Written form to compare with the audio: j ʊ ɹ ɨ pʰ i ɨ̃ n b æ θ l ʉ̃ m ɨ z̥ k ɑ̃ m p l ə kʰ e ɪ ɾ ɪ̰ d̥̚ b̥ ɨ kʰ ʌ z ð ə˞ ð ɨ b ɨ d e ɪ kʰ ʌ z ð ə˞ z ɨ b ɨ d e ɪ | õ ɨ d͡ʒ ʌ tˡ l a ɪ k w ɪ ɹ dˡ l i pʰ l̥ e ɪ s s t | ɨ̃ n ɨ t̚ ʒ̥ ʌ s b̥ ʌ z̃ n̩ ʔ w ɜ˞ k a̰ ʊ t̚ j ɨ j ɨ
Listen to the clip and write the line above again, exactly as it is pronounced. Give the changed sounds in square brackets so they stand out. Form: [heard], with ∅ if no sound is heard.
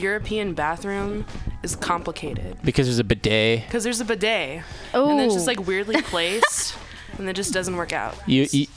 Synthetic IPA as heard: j ʊ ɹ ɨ pʰ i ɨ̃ n b æ θ [ɹ] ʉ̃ m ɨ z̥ [kʰ] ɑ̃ m p l ə kʰ e ɪ ɾ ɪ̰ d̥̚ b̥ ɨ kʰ ʌ z ð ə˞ [z] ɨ b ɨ d e ɪ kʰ ʌ z ð ə˞ z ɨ b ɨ d e ɪ | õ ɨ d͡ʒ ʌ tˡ l a ɪ k w ɪ ɹ dˡ l i pʰ l̥ e ɪ s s t | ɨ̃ n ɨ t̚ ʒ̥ ʌ s [d̥] ʌ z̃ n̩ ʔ w ɜ˞ k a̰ ʊ t̚ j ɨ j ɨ